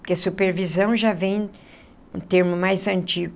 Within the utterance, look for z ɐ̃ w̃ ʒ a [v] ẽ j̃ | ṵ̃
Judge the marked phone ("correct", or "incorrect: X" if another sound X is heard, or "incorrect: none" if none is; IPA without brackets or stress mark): correct